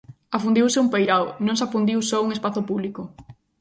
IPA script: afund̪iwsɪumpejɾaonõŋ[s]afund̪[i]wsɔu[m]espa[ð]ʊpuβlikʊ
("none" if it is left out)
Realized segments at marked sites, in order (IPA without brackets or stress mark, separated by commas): s, i, ŋ, θ